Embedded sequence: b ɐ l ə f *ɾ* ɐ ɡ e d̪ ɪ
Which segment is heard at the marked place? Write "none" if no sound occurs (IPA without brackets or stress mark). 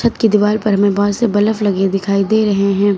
l